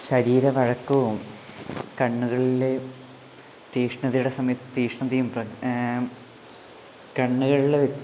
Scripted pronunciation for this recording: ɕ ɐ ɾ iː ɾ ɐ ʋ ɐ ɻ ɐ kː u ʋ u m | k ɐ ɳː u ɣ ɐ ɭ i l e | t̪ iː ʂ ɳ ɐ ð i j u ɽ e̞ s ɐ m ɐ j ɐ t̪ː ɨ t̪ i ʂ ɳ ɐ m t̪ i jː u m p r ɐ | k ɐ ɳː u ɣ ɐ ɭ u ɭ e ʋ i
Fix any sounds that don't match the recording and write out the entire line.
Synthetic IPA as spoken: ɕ ɐ ɾ iː ɾ ɐ ʋ ɐ ɻ ɐ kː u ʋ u m | k ɐ ɳː u ɣ ɐ ɭ i l e | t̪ iː ʂ ɳ ɐ ð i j u ɽ e̞ s ɐ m ɐ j ɐ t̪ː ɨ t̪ iː ʂ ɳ ɐ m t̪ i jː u m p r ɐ | k ɐ ɳː u ɣ ɐ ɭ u ɭ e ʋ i

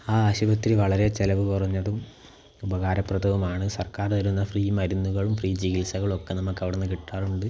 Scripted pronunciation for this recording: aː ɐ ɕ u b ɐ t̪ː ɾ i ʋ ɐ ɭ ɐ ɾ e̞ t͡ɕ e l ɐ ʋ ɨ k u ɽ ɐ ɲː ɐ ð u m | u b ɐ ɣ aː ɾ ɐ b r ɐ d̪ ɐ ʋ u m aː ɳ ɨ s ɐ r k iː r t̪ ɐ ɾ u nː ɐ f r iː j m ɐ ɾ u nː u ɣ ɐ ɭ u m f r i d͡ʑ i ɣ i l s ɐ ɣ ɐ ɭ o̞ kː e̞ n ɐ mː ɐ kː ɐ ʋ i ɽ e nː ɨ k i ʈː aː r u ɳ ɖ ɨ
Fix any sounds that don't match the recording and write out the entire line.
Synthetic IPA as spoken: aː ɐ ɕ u b ɐ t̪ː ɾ i ʋ ɐ ɭ ɐ ɾ e̞ t͡ɕ e l ɐ ʋ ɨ k u r ɐ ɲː ɐ ð u m | u b ɐ ɣ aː ɾ ɐ p r ɐ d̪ ɐ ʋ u m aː ɳ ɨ s ɐ r k aː r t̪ ɐ ɾ u nː ɐ f r iː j m ɐ ɾ u nː u ɣ ɐ ɭ u m f r iː d͡ʑ i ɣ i l s ɐ ɣ ɐ ɭ o̞ kː e̞ n ɐ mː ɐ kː ɐ ʋ i ɽ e nː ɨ k i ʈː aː r u ɳ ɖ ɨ

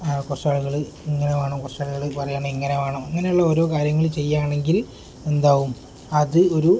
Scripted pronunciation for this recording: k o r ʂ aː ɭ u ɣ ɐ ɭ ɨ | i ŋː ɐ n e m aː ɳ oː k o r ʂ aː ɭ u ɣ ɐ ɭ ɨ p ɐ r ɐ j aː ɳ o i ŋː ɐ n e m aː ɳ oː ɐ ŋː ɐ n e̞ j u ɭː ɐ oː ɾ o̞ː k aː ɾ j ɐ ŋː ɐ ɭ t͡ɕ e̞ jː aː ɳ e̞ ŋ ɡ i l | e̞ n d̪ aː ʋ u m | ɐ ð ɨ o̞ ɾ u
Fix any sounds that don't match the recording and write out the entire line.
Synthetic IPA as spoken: k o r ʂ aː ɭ u ɣ ɐ ɭ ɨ | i ŋː ɐ n e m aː ɳ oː k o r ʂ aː ɭ u ɣ ɐ ɭ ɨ p ɐ r ɐ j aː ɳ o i ŋː ɐ n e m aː ɳ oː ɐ ŋː ɐ n e̞ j u ɭː ɐ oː ɾ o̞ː k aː ɾ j ɐ ŋː ɐ ɭ t͡ɕ e̞ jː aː ɳ e̞ ŋ ɡ i l | e̞ n d̪ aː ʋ u m | ɐ ð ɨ o̞ ɾ u

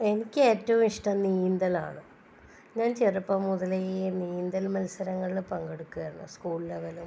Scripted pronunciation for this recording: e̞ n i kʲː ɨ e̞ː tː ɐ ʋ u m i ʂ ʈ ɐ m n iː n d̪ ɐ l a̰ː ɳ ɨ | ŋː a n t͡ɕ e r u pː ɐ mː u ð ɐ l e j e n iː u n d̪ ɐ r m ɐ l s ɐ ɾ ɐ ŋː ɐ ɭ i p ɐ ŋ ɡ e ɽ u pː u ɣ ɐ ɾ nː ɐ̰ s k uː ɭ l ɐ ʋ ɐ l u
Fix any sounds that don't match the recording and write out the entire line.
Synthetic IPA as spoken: e̞ n i kʲː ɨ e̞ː tː ɐ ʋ u m i ʂ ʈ ɐ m n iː n d̪ ɐ l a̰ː ɳ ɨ | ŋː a n t͡ɕ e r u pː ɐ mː u ð ɐ l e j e n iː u n d̪ ɐ l m ɐ l s ɐ ɾ ɐ ŋː ɐ ɭ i p ɐ ŋ ɡ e ɽ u kː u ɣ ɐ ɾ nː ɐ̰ s k uː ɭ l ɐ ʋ ɐ l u

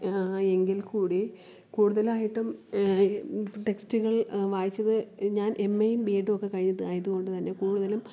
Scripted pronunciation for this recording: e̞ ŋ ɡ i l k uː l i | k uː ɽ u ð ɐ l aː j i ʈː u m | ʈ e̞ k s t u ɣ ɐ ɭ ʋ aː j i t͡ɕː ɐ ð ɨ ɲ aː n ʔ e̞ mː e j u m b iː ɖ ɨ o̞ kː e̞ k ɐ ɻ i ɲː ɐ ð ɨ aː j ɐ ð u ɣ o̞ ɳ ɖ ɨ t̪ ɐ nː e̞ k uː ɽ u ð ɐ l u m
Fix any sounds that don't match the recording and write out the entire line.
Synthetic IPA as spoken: e̞ ŋ ɡ i l k uː ɽ i | k uː ɽ u ð ɐ l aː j i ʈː u m | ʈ e̞ k s t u ɣ ɐ ɭ ʋ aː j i t͡ɕː ɐ ð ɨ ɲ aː n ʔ e̞ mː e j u m b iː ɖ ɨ o̞ kː e̞ k ɐ ɻ i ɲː ɐ ð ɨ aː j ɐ ð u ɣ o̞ ɳ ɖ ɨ t̪ ɐ nː e̞ k uː ɽ u ð ɐ l u m

